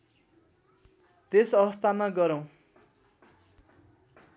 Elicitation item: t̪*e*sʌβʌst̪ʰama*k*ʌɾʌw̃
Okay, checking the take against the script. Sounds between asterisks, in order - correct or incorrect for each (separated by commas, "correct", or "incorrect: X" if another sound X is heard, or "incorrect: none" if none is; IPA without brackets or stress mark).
correct, incorrect: ɡ